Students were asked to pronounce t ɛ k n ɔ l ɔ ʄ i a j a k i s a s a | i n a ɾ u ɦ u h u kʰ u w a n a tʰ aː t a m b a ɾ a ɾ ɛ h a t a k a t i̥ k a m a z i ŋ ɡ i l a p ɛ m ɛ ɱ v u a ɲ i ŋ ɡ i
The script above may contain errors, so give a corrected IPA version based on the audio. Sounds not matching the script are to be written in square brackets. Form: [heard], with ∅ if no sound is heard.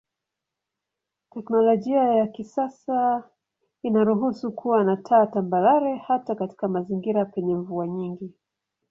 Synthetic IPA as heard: t ɛ k n ɔ l ɔ ʄ i a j a k i s a s a | i n a ɾ u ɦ u [s] u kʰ u w a n a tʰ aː t a m b a ɾ a ɾ ɛ h a t a k a t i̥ k a m a z i ŋ ɡ i [ɾ] a p ɛ [ɲ] ɛ ɱ v u a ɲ i ŋ ɡ i